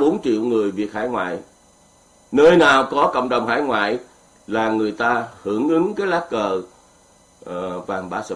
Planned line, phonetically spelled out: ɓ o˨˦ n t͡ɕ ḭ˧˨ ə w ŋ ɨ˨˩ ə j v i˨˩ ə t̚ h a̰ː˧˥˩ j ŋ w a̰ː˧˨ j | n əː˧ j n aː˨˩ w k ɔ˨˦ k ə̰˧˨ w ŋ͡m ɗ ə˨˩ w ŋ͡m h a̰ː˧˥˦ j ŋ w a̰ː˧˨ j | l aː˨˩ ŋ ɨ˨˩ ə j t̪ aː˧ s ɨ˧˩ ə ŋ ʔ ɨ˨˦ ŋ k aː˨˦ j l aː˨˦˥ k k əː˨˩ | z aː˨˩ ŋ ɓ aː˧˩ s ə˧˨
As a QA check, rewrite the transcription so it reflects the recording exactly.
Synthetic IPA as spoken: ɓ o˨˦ n t͡ɕ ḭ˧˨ ə w ŋ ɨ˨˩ ə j v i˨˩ ə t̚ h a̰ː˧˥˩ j ŋ w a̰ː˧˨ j | n əː˧ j n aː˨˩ w k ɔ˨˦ k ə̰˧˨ w ŋ͡m ɗ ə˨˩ w ŋ͡m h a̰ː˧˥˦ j ŋ w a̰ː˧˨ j | l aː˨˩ ŋ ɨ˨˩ ə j t̪ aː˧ h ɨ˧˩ ə ŋ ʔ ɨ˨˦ ŋ k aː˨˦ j l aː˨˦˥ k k əː˨˩ | v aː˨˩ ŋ ɓ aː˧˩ s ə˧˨